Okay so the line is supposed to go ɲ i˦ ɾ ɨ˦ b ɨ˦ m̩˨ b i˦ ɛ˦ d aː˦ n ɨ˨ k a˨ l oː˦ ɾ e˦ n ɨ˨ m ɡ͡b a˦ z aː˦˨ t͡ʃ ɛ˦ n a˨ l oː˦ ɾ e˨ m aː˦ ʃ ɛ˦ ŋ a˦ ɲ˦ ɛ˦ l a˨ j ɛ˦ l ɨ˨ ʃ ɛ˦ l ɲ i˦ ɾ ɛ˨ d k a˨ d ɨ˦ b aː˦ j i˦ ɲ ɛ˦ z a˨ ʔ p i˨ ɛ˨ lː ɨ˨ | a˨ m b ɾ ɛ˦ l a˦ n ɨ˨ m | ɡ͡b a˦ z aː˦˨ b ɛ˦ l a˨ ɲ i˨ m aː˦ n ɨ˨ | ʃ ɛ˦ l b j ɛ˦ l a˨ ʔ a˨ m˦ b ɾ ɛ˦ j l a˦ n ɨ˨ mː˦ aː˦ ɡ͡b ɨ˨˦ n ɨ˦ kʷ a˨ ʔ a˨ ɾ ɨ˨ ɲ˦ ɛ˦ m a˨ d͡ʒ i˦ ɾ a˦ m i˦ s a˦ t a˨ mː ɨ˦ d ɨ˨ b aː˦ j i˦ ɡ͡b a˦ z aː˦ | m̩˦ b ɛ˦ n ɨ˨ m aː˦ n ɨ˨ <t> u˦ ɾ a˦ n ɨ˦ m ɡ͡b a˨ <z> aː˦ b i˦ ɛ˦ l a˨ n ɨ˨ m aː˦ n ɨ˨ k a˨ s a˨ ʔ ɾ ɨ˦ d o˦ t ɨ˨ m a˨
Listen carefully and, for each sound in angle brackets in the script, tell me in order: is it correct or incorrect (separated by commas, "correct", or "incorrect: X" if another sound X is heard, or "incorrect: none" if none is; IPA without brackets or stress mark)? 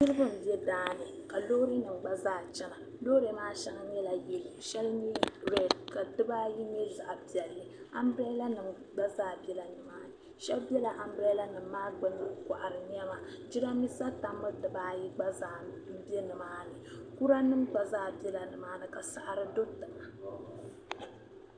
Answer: incorrect: k, correct